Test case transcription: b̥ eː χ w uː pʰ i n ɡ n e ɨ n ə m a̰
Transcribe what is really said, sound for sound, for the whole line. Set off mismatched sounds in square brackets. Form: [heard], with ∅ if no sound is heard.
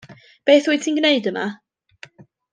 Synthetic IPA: b̥ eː [θ] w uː [tʰ] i n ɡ n e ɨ [d] ə m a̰